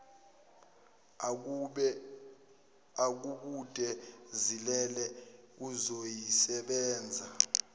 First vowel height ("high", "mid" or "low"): low